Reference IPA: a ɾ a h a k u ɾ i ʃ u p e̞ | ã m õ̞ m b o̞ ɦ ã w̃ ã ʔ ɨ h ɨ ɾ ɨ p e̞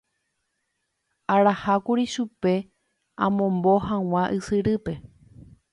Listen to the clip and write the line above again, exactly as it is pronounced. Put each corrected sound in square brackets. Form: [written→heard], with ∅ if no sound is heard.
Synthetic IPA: a ɾ a h a k u ɾ i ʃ u p e̞ | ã m õ̞ m b o̞ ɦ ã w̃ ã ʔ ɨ [h→s] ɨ ɾ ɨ p e̞